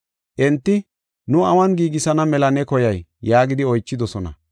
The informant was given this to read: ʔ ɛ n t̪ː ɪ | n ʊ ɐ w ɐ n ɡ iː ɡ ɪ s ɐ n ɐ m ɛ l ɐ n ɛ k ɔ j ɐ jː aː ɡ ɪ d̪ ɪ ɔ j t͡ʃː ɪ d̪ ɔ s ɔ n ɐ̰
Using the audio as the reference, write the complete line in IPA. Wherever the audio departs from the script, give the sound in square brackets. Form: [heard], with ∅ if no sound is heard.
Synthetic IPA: ʔ ɛ n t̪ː ɪ | n ʊ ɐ w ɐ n ɡ iː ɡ ɪ s ɐ n ɐ m ɛ l ɐ n ɛ k ɔ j ɐ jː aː ɡ ɪ d̪ ɪ ɔ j t͡ʃː ɪ d̪ ɔ s ɔ n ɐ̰